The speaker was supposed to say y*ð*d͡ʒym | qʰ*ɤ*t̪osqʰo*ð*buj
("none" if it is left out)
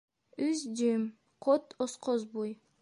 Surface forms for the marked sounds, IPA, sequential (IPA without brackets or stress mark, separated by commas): z, o, z